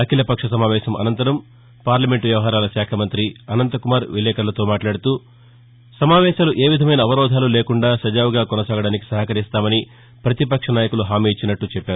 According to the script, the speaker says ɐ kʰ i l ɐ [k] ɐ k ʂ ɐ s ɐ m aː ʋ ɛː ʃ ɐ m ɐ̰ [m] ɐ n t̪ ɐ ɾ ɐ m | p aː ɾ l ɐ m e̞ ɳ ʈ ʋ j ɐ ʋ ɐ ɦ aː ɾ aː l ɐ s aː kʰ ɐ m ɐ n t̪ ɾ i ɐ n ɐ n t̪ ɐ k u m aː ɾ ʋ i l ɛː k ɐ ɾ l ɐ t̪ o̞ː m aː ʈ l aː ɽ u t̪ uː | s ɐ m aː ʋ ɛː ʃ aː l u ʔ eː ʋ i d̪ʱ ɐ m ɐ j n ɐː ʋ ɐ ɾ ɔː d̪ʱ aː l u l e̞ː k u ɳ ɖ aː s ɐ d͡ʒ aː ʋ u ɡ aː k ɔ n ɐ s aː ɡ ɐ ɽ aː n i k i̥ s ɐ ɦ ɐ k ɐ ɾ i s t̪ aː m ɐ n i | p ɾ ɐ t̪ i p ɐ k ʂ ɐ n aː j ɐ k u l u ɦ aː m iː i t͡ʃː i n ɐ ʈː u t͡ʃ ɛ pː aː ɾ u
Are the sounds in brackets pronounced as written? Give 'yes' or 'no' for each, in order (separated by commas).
no, no